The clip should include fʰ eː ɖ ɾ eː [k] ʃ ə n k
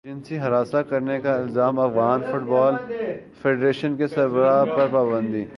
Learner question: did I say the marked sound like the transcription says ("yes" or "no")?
no